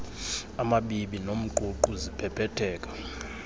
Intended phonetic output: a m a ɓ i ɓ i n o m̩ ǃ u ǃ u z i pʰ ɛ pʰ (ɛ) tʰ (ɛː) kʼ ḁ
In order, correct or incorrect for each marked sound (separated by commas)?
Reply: correct, correct